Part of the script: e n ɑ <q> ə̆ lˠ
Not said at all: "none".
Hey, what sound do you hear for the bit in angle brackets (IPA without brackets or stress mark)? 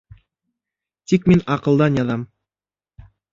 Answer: q